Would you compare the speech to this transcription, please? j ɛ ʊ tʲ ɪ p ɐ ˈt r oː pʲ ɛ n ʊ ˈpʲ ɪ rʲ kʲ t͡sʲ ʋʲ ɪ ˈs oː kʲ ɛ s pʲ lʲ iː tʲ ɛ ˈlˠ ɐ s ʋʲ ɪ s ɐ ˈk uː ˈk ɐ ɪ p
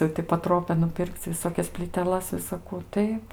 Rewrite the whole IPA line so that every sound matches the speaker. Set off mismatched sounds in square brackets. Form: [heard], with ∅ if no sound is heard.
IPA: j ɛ ʊ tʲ ɪ p ɐ ˈt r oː pʲ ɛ n ʊ ˈpʲ ɪ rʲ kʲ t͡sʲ ʋʲ ɪ ˈs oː kʲ ɛ s pʲ lʲ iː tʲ ɛ ˈlˠ ɐ s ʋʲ ɪ s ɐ ˈk uː [ˈt] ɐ ɪ p